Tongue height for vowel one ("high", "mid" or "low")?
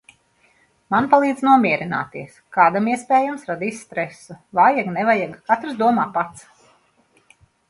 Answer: low